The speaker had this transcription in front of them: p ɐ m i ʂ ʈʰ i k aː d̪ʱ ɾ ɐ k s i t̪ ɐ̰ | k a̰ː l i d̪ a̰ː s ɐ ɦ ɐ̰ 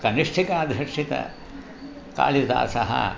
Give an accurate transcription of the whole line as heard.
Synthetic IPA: k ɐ n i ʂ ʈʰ i k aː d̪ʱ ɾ ɐ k ʂ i t̪ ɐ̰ | k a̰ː l i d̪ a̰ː s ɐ ɦ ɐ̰